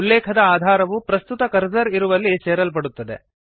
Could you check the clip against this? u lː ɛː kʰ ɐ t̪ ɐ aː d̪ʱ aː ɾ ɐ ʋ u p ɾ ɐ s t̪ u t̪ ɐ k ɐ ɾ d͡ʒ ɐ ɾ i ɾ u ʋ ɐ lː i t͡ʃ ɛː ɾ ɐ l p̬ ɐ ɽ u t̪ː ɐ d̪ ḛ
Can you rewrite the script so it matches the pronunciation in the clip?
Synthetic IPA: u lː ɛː kʰ ɐ d̪ ɐ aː d̪ʱ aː ɾ ɐ ʋ u p ɾ ɐ s t̪ u t̪ ɐ k ɐ ɾ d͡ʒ ɐ ɾ i ɾ u ʋ ɐ lː i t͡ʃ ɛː ɾ ɐ l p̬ ɐ ɽ u t̪ː ɐ d̪ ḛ

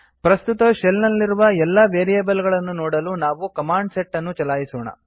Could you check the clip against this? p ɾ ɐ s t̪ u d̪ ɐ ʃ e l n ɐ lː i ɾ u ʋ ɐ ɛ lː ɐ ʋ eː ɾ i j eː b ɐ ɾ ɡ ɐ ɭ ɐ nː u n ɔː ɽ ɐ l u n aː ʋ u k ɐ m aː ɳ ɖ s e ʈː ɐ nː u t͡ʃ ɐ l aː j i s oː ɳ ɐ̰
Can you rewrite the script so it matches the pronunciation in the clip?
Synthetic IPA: p ɾ ɐ s t̪ u t̪ ɐ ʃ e l n ɐ lː i ɾ u ʋ ɐ ɛ lː ɐ ʋ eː ɾ i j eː b ɐ l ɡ ɐ ɭ ɐ nː u n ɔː ɽ ɐ l u n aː ʋ u k ɐ m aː ɳ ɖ s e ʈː ɐ nː u t͡ʃ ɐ l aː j i s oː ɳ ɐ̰

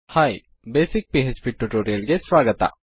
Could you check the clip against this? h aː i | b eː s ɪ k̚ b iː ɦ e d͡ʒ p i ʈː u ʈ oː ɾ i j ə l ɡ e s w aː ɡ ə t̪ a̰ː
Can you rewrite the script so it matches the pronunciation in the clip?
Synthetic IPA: h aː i | b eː s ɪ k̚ p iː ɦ e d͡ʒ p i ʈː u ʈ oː ɾ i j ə l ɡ e s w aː ɡ ə t̪ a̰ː

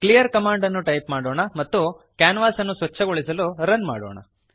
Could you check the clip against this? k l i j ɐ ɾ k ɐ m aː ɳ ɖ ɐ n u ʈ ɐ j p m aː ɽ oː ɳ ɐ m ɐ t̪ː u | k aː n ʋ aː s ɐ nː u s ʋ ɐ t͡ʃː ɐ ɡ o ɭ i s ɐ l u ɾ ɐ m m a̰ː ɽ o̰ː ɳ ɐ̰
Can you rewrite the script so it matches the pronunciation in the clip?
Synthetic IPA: k l i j ɐ ɾ k ɐ m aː ɳ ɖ ɐ nː u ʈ ɐ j p m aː ɽ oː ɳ ɐ m ɐ t̪ː u | k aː n ʋ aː s ɐ nː u s ʋ ɐ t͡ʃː ɐ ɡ o ɭ i s ɐ l u ɾ ɐ n m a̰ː ɽ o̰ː ɳ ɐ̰

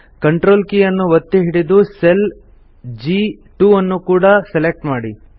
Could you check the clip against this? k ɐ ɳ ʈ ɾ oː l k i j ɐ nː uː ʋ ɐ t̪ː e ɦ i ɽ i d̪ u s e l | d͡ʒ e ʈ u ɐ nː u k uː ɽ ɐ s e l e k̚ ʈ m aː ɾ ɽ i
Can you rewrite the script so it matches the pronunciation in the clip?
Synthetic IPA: k ɐ ɳ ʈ ɾ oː l k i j ɐ nː u ʋ ɐ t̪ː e ɦ i ɽ i d̪ u s e l | d͡ʒ i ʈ u ɐ nː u k uː ɽ ɐ s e l e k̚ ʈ m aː ɽ i

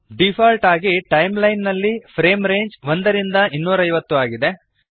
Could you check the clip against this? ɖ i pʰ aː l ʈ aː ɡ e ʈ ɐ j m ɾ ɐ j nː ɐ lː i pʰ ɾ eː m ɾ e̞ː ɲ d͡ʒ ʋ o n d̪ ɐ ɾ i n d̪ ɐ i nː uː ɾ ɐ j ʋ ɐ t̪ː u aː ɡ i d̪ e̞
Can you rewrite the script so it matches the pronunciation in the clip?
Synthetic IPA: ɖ i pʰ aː l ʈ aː ɡ i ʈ ɐ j m l ɐ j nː ɐ lː i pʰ ɾ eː m ɾ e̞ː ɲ d͡ʒ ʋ o n d̪ ɐ ɾ i n d̪ ɐ i nː uː ɾ ɐ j ʋ ɐ t̪ː u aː ɡ i d̪ e̞

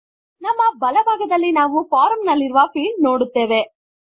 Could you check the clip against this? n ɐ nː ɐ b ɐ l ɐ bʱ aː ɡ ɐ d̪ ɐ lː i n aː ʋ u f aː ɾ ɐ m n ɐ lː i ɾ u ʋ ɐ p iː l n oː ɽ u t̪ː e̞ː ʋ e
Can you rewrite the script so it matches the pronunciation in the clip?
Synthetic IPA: n ɐ mː ɐ b ɐ l ɐ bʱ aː ɡ ɐ d̪ ɐ lː i n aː ʋ u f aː ɾ ɐ m n ɐ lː i ɾ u ʋ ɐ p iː l n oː ɽ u t̪ː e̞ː ʋ e

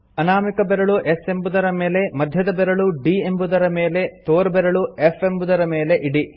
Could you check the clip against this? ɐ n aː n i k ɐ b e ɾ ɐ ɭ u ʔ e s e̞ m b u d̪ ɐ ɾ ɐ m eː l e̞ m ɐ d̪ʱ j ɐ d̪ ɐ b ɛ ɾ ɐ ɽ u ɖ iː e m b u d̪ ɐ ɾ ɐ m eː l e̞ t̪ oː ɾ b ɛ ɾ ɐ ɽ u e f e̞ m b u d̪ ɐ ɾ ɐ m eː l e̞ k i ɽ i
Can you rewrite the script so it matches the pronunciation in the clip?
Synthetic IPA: ɐ n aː m i k ɐ b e ɾ ɐ ɭ u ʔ e s e̞ m b u d̪ ɐ ɾ ɐ m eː l e̞ m ɐ d̪ʱ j ɐ d̪ ɐ b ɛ ɾ ɐ ɭ u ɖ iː e m b u d̪ ɐ ɾ ɐ m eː l e̞ t̪ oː ɾ b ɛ ɾ ɐ ɭ u e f e̞ m b u d̪ ɐ ɾ ɐ m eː l e̞ ʔ i ɽ i

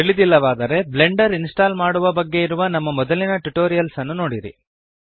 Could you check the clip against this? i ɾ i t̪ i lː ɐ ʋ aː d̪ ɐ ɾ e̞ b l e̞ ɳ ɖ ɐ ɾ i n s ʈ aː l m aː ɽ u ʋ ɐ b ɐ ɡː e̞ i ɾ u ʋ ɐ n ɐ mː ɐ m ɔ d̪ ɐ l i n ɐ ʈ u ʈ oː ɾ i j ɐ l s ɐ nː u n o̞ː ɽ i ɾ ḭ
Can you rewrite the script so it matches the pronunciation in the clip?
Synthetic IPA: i ɭ i d̪ i lː ɐ ʋ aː d̪ ɐ ɾ e̞ b l e̞ ɳ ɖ ɐ ɾ i n s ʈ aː l m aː ɽ u ʋ ɐ b ɐ ɡː e̞ i ɾ u ʋ ɐ n ɐ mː ɐ m ɔ d̪ ɐ l i n ɐ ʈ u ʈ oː ɾ i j ɐ l s ɐ nː u n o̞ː ɽ i ɾ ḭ

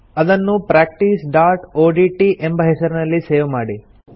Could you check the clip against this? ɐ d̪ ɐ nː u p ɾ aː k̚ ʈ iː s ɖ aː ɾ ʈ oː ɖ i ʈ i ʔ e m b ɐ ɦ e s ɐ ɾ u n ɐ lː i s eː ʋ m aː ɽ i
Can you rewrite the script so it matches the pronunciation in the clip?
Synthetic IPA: ɐ d̪ ɐ nː u p ɾ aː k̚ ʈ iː s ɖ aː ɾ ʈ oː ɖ i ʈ i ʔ e m b ɐ ɦ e s ɐ ɾ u n ɐ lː i s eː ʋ m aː ɽ i

